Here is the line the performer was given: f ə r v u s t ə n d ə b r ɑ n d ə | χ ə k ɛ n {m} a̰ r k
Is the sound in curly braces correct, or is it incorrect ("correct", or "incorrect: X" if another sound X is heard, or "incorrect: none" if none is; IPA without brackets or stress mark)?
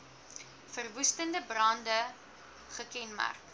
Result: correct